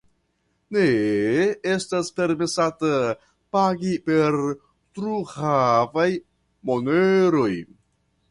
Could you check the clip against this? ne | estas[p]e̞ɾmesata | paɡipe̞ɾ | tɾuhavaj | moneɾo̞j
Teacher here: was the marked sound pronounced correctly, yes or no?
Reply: yes